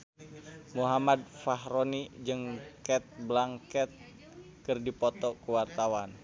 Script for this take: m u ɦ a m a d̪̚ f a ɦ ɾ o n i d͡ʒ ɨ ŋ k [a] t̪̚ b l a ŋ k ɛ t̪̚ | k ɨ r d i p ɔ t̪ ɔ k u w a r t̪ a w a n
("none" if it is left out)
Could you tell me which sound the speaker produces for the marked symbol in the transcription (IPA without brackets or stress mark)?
ɛ